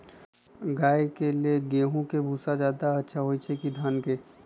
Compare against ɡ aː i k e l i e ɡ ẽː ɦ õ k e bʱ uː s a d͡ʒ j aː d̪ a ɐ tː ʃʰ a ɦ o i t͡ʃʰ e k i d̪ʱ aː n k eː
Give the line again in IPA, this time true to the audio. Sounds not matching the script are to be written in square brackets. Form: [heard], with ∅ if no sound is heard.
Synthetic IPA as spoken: ɡ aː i k e l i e ɡ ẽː ɦ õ k e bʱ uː s a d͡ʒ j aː d̪ a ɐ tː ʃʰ a ɦ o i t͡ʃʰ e k i d̪ʱ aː n k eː